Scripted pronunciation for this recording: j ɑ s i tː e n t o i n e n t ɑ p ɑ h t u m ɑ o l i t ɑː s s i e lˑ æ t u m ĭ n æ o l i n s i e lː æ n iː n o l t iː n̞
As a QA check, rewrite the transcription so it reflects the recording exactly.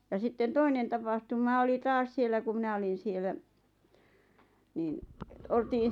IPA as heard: j ɑ s i tː e n t o i n e n t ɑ p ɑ h t u m ɑ o l i t ɑː s s i e lˑ æ k u m ĭ n æ o l i n s i e l æ n iː n o l t iː n̞